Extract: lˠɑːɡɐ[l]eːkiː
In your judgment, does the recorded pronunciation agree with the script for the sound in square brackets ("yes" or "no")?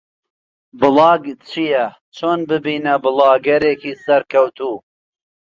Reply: no